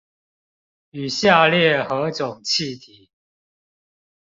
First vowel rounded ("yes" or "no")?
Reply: yes